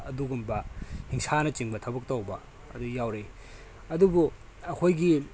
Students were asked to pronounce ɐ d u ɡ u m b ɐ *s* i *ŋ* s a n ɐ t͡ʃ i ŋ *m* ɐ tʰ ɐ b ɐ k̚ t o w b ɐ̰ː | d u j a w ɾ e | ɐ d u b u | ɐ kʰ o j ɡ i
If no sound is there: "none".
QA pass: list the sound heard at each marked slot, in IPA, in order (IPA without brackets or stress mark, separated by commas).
h, ŋ, b